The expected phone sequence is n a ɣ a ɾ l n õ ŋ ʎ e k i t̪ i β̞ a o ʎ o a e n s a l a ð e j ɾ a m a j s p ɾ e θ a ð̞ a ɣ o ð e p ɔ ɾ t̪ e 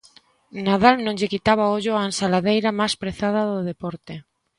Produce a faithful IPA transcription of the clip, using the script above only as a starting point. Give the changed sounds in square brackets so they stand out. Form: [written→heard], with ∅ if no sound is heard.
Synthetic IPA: n a [ɣ→ð] a [ɾ→∅] l n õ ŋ ʎ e k i t̪ [i→a] β̞ a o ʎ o a e n s a l a ð e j ɾ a m a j s p ɾ e θ a ð̞ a [ɣ→ð] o ð e p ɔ ɾ t̪ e